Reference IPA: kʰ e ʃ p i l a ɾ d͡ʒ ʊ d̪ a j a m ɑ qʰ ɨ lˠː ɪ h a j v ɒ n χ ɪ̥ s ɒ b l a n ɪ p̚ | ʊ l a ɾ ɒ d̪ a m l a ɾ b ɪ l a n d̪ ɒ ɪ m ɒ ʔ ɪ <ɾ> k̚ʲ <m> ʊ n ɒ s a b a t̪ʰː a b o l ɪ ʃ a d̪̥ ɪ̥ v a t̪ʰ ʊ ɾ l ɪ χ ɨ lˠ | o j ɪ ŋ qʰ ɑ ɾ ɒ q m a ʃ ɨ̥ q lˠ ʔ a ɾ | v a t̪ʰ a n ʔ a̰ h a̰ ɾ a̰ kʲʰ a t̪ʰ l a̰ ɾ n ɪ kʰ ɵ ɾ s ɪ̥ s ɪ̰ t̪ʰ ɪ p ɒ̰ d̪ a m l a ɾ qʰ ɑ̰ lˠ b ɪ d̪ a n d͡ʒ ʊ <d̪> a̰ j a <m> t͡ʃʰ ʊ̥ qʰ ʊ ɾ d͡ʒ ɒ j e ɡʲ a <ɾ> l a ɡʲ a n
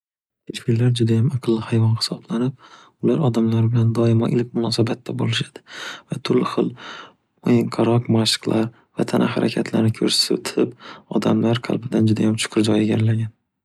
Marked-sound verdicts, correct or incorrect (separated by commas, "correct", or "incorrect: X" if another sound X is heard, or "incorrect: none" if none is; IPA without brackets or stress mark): incorrect: l, correct, correct, correct, correct